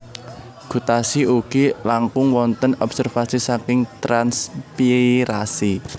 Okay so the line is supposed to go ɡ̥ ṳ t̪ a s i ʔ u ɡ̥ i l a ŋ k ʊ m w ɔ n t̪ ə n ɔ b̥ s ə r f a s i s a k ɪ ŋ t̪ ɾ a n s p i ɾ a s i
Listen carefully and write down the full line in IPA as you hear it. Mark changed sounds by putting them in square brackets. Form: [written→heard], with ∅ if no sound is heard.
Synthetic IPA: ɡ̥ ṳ t̪ a s i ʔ u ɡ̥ i l a ŋ k ʊ [m→ŋ] w ɔ n t̪ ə n ɔ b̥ s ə r f a s i s a k ɪ ŋ t̪ ɾ a n s p i ɾ a s i